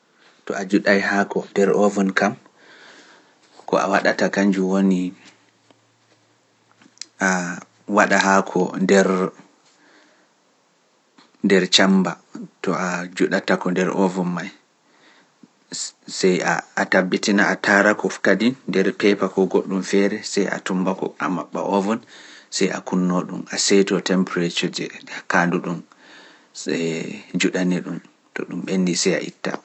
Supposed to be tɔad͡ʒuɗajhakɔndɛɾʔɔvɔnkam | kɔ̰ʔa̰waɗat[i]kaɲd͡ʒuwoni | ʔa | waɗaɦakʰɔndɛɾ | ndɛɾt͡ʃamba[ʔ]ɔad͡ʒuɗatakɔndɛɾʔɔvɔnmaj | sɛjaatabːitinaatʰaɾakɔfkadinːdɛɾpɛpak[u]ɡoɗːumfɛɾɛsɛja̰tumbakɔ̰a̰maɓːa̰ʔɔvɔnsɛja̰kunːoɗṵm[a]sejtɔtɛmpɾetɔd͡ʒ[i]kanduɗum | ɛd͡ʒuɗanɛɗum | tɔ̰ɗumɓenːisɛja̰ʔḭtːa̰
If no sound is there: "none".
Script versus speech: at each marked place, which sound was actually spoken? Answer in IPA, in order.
a, t, ɔ, a, ɛ

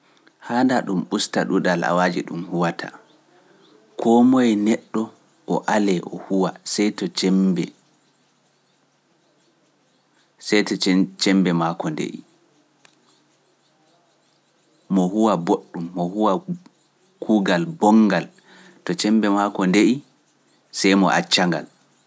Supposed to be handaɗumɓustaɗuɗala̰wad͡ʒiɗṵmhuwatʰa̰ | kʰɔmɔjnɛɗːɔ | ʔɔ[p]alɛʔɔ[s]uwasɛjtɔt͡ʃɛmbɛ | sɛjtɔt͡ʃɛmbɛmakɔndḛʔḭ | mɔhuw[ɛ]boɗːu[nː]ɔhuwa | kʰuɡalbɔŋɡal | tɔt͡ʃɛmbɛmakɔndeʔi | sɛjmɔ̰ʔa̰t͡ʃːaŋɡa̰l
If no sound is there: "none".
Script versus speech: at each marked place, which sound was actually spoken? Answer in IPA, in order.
ʔ, h, a, mː

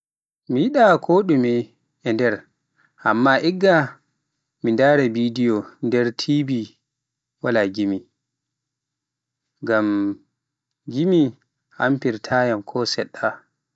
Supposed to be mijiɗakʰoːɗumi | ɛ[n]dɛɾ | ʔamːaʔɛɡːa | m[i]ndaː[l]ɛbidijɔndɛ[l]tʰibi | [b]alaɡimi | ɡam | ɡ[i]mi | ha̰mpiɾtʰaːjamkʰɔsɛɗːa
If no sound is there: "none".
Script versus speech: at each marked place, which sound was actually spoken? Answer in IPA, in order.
n, i, ɾ, ɾ, w, i

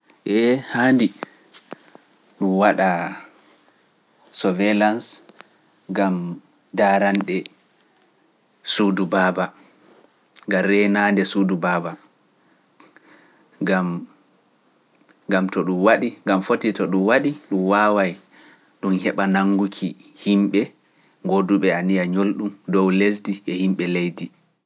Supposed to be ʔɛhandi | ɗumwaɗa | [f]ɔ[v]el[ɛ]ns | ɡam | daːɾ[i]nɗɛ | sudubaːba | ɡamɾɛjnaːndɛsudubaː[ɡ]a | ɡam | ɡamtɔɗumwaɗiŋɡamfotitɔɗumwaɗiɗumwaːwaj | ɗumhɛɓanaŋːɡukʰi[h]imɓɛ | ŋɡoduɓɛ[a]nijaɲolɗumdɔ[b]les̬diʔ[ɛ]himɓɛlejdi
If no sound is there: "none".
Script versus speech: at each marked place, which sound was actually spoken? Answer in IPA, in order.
s, v, a, a, b, h, a, w, ɛ

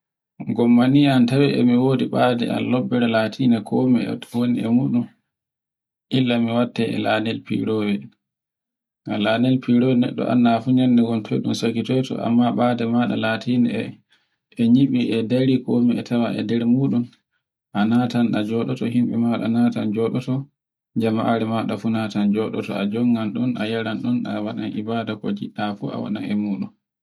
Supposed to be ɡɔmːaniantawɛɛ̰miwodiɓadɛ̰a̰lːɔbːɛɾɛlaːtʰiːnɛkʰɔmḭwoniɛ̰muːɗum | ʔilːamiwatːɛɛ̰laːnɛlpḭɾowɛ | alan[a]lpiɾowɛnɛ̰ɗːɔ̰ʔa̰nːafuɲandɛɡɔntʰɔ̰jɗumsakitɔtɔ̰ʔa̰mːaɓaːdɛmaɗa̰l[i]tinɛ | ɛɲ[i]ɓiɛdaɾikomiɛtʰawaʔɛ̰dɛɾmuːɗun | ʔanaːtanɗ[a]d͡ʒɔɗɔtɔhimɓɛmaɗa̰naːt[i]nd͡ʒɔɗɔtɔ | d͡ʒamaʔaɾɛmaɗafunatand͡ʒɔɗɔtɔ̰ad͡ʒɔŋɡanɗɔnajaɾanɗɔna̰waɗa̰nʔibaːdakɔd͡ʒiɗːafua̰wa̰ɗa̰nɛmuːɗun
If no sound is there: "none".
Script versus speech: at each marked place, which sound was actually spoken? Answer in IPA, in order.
ɛ, a, i, a, a

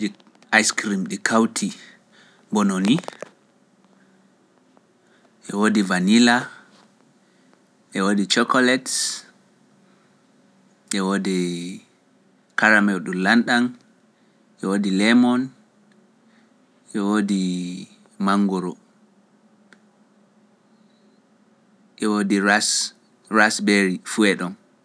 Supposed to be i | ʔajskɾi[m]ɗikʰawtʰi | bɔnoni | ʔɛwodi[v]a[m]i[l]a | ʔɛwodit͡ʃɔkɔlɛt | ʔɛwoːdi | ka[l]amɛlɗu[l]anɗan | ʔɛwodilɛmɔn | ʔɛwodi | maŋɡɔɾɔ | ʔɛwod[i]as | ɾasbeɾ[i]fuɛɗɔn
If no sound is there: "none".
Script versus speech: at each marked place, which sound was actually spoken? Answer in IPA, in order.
m, v, n, l, ɾ, l, i, i

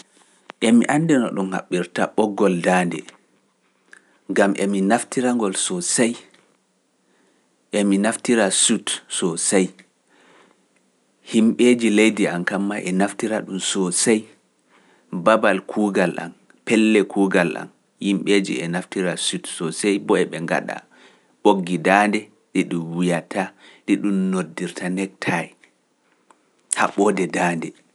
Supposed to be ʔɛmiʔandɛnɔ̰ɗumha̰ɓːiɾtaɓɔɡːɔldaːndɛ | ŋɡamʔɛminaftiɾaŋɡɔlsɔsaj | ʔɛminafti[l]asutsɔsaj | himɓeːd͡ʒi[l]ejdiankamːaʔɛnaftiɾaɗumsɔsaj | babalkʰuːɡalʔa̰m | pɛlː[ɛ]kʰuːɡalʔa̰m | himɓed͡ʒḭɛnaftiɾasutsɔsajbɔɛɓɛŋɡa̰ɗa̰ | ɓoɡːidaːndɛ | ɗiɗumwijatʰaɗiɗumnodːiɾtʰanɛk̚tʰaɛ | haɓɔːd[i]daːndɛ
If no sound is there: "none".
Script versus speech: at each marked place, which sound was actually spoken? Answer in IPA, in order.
ɾ, l, ɛ, ɛ

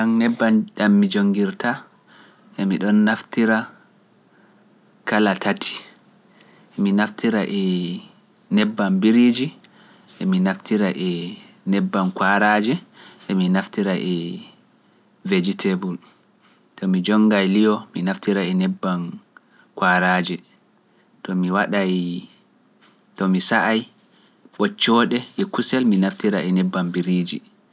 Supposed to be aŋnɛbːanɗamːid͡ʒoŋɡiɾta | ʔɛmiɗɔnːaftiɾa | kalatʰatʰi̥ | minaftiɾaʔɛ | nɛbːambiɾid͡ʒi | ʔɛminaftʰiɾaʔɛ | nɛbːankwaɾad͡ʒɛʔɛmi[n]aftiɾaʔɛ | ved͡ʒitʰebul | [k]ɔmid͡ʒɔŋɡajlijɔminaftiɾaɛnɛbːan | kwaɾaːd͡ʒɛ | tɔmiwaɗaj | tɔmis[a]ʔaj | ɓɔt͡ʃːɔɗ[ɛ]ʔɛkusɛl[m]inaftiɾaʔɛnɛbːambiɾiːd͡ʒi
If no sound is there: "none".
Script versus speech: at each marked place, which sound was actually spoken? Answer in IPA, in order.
n, t, a, ɛ, m

